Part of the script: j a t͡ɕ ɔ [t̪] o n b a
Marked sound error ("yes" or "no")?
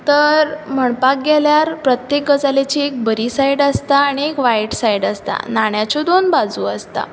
yes